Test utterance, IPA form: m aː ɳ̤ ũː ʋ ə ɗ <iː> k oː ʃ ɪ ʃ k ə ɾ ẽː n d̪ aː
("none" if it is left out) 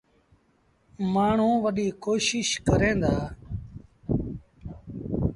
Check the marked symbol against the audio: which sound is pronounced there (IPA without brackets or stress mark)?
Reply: iː